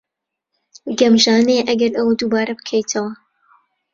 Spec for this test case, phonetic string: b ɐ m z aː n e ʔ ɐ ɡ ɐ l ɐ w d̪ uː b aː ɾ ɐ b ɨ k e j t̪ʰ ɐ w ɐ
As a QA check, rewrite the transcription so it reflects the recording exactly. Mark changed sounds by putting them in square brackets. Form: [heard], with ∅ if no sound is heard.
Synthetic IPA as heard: [ɡ] ɐ m [ʒ] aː n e ʔ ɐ ɡ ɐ [ɾ] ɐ w d̪ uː b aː ɾ ɐ b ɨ [kʰ] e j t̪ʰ ɐ w ɐ